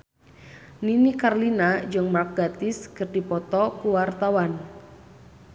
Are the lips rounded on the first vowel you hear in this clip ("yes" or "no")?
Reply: no